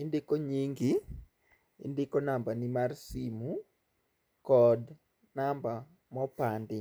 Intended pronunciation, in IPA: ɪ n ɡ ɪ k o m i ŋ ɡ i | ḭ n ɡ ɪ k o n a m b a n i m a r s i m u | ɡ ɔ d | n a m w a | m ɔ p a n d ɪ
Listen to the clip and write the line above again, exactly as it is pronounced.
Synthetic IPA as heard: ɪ n d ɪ k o ɲ i ŋ ɡ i | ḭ n d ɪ k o n a m b a n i m a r s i m u | k ɔ d | n a m b a | m ɔ p a n d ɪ